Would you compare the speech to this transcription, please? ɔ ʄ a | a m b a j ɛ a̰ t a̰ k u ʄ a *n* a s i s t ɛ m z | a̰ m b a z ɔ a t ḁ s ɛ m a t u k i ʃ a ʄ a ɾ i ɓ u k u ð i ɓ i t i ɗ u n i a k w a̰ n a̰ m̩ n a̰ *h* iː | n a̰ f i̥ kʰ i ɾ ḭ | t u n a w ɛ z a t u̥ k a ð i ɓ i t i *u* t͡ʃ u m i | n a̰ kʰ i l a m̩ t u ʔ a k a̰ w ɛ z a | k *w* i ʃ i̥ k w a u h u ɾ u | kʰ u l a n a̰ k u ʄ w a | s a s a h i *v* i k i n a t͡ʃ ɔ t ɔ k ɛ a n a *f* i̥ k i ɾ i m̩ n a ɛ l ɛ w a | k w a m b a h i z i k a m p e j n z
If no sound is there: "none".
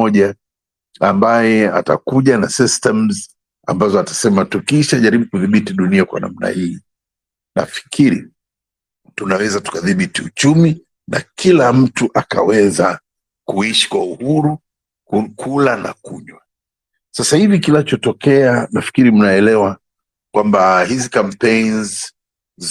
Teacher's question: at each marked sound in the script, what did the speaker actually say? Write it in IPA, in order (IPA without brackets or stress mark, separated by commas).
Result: n, h, u, u, v, f